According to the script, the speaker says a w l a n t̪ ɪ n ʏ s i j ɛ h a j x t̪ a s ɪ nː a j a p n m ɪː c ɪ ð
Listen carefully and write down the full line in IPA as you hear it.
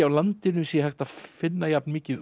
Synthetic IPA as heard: a w l a n t̪ ɪ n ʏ s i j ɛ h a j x t̪ a f ɪ nː a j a p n m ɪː c ɪ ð